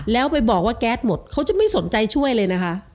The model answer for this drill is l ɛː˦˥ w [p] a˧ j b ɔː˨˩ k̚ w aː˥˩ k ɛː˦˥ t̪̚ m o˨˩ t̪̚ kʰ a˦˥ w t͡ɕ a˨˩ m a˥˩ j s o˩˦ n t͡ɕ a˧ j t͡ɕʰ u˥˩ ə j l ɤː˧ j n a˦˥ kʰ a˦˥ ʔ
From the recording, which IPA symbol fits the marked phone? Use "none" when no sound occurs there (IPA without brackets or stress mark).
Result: p